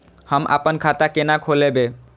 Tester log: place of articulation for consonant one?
glottal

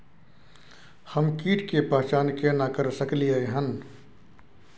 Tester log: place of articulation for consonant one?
glottal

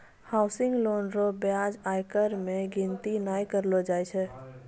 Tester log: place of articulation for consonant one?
glottal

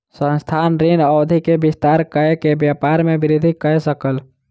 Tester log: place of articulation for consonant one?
alveolar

